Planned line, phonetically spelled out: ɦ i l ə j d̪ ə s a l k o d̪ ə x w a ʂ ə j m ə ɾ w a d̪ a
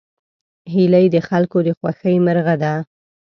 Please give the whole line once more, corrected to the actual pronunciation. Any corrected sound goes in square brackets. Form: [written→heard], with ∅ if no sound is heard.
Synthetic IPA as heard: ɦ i l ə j d̪ ə [s→x] a l k o d̪ ə x w a [ʂ→x] ə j m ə ɾ [w→ɣ] a d̪ a